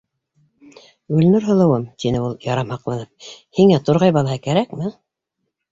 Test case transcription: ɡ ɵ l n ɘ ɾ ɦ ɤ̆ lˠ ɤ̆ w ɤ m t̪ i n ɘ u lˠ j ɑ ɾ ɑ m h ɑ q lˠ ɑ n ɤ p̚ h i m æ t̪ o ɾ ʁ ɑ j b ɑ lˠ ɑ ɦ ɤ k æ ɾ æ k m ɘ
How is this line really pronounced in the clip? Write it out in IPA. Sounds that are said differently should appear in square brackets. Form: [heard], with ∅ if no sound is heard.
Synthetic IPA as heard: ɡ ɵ l n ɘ ɾ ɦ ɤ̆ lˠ ɤ̆ w ɤ m t̪ i n ɘ u lˠ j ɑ ɾ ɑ m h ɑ q lˠ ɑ n ɤ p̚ h i [ŋ] æ t̪ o ɾ ʁ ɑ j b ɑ lˠ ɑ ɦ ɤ k æ ɾ æ k m ɘ

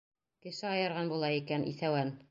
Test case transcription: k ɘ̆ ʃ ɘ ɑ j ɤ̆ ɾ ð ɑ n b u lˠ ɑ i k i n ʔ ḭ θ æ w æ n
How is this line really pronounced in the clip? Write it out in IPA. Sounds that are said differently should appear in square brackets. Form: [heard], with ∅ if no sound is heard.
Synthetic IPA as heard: k ɘ̆ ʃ ɘ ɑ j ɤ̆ ɾ [ʁ] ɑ n b u lˠ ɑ i k [æ] n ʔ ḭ θ æ w æ n

